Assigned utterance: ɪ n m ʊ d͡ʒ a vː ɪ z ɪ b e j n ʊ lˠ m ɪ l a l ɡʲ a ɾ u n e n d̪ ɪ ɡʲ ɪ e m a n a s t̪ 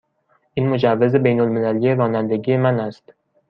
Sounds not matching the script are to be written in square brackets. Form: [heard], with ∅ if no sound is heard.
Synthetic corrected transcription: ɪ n m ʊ d͡ʒ a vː ɪ z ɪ b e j n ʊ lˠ m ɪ l a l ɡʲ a ɾ [ɒ] n [a] n d̪ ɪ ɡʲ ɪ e m a n a s t̪